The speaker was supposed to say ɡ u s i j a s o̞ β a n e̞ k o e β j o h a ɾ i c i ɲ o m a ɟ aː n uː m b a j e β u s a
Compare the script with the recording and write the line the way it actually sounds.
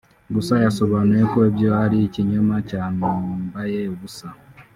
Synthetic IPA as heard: ɡ u s a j a s o̞ β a n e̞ k o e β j o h a ɾ i c i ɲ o m a c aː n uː m b a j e β u s a

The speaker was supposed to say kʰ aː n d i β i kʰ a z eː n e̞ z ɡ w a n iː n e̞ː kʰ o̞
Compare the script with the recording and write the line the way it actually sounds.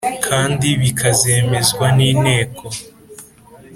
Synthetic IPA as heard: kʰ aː n d i β i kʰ a z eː m e̞ z ɡ w a n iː n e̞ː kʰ o̞

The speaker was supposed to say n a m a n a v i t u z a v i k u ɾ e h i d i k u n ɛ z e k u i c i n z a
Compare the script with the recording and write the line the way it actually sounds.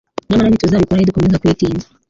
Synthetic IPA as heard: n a m a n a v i t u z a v i k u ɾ a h i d i k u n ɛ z a k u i t i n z a

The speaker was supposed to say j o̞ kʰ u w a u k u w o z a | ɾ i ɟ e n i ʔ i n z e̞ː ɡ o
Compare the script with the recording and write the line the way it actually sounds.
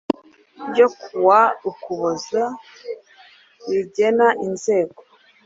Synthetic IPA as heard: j o̞ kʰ u w a u k u β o z a | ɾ i ɟ e n a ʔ i n z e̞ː ɡ o

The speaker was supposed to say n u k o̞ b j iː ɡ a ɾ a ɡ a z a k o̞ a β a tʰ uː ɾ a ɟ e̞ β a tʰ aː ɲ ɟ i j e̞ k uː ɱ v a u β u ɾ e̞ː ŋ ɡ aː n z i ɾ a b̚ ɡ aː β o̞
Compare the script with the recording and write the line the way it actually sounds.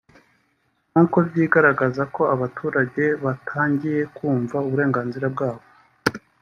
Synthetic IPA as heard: n u k o̞ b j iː ɡ a ɾ a ɡ a z a k o̞ a β a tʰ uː ɾ a ɟ e̞ β a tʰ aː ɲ ɟ i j e̞ k uː ɱ v a u β u ɾ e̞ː ŋ ɡ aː n z i ɾ a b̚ ɡ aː β o̞

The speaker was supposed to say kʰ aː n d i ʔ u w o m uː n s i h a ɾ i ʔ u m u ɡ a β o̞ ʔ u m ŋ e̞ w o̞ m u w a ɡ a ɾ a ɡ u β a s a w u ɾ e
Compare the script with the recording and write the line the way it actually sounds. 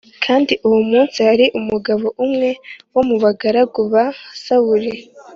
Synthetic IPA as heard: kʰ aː n d i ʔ u w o m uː n s i h a ɾ i ʔ u m u ɡ a β o̞ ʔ u m ŋ e̞ w o̞ m u β a ɡ a ɾ a ɡ u β a s a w u ɾ e

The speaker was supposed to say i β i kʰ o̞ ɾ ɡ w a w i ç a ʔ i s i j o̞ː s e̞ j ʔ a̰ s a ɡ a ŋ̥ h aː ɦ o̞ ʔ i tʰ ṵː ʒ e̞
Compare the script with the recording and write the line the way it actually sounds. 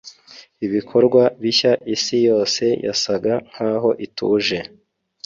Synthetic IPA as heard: i β i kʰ o̞ ɾ ɡ w a β i ç a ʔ i s i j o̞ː s e̞ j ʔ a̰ s a ɡ a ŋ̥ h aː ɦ o̞ ʔ i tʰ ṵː ʒ e̞

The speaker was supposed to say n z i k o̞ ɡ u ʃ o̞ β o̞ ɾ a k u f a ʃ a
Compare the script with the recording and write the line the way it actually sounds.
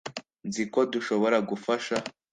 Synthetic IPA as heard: n z i k o̞ d u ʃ o̞ β o̞ ɾ a ɡ u f a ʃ a

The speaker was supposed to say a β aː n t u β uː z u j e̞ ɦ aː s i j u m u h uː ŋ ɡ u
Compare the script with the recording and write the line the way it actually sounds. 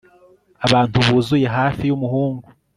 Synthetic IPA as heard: a β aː n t u β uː z u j e̞ ɦ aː f i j u m u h uː ŋ ɡ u

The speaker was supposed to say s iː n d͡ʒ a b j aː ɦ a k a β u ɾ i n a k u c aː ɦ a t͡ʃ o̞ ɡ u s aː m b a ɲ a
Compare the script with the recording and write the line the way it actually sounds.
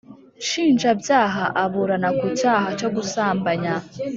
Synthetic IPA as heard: ʃ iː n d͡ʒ a b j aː ɦ a ʔ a β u ɾ a n a k u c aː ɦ a t͡ʃ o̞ ɡ u s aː m b a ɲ a

